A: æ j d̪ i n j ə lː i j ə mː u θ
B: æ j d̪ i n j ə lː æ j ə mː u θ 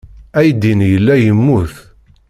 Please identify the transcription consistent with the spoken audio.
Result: B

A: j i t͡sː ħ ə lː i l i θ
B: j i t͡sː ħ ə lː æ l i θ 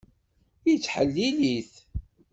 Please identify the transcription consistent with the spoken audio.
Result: A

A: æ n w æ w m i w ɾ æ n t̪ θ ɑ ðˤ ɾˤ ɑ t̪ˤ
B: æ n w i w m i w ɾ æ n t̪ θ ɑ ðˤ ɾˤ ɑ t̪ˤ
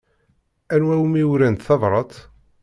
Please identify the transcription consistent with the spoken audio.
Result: A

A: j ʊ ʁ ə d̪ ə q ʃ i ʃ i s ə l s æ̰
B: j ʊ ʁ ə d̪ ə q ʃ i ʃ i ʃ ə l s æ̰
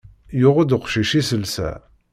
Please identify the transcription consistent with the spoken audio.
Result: A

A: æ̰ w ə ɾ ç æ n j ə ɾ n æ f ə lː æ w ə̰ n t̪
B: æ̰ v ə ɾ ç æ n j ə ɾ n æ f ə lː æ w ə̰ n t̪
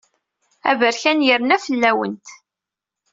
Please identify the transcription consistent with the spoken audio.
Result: B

